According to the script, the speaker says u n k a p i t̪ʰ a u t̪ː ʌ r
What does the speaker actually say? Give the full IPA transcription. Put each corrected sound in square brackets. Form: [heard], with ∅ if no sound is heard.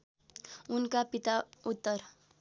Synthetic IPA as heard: u n k a p i [t̪] a u t̪ː ʌ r